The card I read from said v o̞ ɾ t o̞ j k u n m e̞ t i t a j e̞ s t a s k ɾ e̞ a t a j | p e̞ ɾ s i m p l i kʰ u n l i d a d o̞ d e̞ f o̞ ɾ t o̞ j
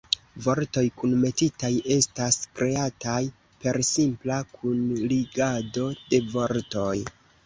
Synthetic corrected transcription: v o̞ ɾ t o̞ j k u n m e̞ t i t a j e̞ s t a s k ɾ e̞ a t a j | p e̞ ɾ s i m p l a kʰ u n l i ɡ a d o̞ d e̞ v o̞ ɾ t o̞ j